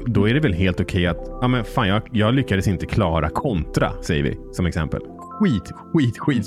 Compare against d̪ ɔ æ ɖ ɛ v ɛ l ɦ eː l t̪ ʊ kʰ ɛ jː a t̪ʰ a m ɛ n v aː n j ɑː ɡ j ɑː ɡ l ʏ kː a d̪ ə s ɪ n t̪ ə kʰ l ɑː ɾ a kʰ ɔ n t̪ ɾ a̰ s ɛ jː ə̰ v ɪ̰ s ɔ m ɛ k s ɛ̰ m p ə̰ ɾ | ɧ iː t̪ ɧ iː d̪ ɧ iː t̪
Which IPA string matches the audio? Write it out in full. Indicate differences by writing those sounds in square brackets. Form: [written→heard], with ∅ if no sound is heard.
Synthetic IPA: d̪ ɔ æ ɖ ɛ v ɛ l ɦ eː l t̪ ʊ kʰ ɛ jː a [t̪ʰ→t̪] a m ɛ n [v→f] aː n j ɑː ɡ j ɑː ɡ l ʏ kː a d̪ ə s ɪ n t̪ ə kʰ l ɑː ɾ a kʰ ɔ n t̪ ɾ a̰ s ɛ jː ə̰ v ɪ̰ s ɔ m ɛ k s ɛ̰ m p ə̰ [ɾ→l] | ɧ iː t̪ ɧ iː [d̪→t̪] ɧ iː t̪